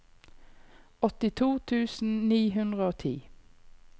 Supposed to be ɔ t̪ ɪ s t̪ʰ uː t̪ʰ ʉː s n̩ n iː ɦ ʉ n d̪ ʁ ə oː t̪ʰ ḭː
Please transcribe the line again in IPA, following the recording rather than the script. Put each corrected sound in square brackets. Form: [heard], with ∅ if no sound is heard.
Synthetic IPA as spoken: ɔ t̪ ɪ [∅] t̪ʰ uː t̪ʰ ʉː s n̩ n iː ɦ ʉ n d̪ ʁ ə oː t̪ʰ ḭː